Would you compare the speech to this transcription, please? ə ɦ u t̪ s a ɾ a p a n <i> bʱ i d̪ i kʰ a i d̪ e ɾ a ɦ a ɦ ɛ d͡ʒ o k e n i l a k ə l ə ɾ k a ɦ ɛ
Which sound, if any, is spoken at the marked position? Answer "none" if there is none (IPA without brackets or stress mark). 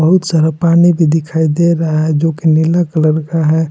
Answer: i